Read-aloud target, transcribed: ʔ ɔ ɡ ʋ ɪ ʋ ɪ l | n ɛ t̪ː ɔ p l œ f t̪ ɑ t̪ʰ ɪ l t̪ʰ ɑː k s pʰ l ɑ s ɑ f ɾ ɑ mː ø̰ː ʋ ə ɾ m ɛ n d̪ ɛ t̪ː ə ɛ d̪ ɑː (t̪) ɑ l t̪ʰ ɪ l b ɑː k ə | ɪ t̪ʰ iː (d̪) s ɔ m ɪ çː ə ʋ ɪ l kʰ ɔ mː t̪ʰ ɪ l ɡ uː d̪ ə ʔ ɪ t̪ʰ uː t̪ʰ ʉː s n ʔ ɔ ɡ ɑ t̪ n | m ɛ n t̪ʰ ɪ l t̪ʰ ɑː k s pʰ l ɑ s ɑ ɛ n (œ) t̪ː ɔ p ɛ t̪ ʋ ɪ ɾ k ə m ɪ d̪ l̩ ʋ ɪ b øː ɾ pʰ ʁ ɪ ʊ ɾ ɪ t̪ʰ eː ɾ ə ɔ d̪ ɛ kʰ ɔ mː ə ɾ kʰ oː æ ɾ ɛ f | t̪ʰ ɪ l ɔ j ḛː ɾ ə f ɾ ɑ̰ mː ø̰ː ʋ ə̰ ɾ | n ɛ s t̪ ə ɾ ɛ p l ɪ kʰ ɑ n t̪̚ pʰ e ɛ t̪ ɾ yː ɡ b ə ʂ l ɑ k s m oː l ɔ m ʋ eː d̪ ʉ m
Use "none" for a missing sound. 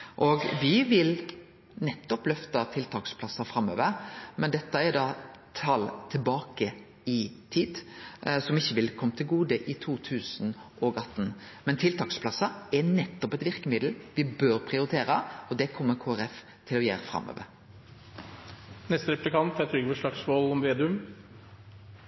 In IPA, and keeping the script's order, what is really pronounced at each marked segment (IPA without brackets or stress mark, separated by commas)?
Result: t̪ʰ, d̪, ɛ